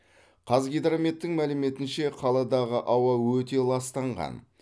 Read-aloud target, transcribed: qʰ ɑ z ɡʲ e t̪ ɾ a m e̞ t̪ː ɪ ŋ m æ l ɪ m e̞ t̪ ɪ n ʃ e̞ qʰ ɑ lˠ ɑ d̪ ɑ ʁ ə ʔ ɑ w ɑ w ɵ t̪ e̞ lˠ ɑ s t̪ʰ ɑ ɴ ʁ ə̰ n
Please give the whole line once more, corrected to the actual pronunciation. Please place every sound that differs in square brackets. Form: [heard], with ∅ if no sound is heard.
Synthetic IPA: qʰ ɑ z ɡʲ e [d̪] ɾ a m e̞ t̪ː ɪ ŋ m æ l ɪ m e̞ t̪ ɪ n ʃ e̞ qʰ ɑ lˠ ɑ d̪ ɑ ʁ ə ʔ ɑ w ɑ w ɵ t̪ e̞ lˠ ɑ s [t̪] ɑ ɴ ʁ [ɑ̰] n

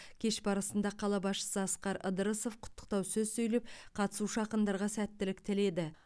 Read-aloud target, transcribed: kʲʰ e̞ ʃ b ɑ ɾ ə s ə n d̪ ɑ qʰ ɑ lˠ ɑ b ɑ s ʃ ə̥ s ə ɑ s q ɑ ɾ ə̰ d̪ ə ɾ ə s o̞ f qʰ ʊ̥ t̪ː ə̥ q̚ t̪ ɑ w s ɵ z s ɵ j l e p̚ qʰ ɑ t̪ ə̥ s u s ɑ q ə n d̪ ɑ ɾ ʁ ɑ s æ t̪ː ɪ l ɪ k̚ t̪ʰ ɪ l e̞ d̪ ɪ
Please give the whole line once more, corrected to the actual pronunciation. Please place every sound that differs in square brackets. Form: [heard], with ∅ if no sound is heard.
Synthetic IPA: kʲʰ e̞ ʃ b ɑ ɾ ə s ə n d̪ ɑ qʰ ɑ lˠ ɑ b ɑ s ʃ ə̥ s ə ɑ s q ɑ ɾ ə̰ d̪ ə ɾ ə s o̞ f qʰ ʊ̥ t̪ː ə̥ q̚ t̪ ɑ w s ɵ z s ɵ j l e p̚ qʰ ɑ t̪ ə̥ s u [ʃ] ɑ q ə n d̪ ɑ ɾ ʁ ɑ s æ t̪ː ɪ l ɪ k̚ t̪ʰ ɪ l e̞ d̪ ɪ

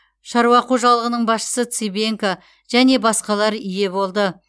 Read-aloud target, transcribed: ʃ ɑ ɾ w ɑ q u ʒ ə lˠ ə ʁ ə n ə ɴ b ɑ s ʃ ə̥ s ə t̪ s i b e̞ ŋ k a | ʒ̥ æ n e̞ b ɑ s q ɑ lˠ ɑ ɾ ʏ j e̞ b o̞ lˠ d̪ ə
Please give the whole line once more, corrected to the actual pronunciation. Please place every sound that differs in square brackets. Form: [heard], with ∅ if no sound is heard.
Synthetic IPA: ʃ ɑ ɾ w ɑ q u ʒ [ɑ] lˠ ə ʁ ə n ə ɴ b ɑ s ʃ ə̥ s ə t̪ s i b e̞ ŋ k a | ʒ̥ æ n e̞ b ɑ s q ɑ lˠ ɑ ɾ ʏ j e̞ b o̞ lˠ d̪ ə

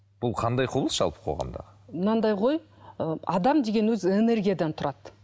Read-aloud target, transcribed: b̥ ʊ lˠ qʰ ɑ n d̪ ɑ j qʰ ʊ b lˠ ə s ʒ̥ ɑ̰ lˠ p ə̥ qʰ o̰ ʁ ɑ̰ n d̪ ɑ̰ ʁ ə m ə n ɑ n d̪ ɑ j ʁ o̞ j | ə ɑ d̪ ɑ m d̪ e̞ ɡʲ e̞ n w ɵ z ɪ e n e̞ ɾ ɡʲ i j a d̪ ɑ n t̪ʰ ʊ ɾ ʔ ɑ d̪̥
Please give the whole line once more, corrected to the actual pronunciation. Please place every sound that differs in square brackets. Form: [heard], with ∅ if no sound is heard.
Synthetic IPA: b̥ ʊ lˠ qʰ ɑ n d̪ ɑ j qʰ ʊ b lˠ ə s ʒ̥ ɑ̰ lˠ p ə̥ qʰ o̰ ʁ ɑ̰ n d̪ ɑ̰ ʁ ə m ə n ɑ n d̪ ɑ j ʁ o̞ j | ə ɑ d̪ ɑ m d̪ e̞ ɡʲ e̞ n w ɵ z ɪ e n e̞ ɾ ɡʲ i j a d̪ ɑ n t̪ʰ ʊ ɾ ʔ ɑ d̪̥

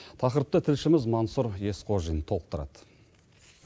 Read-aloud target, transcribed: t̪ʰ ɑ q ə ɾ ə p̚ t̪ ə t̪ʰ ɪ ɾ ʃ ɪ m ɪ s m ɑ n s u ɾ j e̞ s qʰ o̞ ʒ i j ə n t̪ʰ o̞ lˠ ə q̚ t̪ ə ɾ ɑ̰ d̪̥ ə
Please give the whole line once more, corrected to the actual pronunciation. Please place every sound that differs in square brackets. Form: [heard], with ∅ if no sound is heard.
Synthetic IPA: t̪ʰ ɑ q ə ɾ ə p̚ t̪ ə t̪ʰ ɪ [l] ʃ ɪ m ɪ [z] m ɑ n s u ɾ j e̞ s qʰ o̞ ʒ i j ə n t̪ʰ o̞ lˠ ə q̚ t̪ ə ɾ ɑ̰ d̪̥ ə

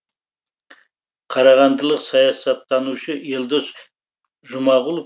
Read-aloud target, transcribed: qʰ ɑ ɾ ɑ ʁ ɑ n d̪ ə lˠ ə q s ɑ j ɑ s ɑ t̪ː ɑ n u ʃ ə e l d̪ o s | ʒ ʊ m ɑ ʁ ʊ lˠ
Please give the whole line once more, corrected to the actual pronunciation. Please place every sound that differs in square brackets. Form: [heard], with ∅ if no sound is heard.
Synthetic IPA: qʰ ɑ ɾ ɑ ʁ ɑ n d̪ ə lˠ ə q s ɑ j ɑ s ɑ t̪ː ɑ n u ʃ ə e l d̪ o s | ʒ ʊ m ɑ ʁ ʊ lˠ

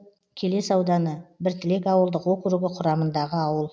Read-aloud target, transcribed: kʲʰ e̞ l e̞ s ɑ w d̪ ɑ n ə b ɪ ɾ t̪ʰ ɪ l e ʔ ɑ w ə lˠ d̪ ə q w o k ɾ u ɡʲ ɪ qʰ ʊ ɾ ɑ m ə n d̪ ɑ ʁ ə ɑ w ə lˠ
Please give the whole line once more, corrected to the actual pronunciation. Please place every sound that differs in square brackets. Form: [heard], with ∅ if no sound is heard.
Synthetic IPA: kʲʰ e̞ l e̞ s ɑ w d̪ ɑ n ə b ɪ ɾ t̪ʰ ɪ l e [k] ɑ w ə lˠ d̪ ə q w o k ɾ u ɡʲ ɪ qʰ ʊ ɾ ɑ m ə n d̪ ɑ ʁ ə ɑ w ə lˠ

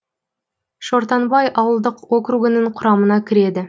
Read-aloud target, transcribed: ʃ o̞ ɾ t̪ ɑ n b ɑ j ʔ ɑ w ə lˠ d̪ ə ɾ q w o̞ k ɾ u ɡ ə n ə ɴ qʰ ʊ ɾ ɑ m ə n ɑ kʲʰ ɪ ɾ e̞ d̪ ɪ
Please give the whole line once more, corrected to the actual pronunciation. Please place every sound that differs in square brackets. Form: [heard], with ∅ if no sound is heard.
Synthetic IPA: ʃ o̞ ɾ t̪ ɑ n b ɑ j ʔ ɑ w ə lˠ d̪ ə [∅] q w o̞ k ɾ u ɡ ə n ə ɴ qʰ ʊ ɾ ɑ m ə n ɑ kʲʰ ɪ ɾ e̞ d̪ ɪ

